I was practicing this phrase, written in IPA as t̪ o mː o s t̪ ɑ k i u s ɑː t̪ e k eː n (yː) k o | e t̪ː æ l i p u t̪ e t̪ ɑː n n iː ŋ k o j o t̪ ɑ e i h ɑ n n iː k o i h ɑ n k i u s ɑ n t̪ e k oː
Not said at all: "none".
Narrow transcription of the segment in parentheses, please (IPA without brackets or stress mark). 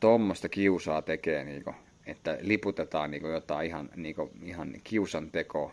iː